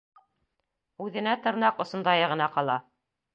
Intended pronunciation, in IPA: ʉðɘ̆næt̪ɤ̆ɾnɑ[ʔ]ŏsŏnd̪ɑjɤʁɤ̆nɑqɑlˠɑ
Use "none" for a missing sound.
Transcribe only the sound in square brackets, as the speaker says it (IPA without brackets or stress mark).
q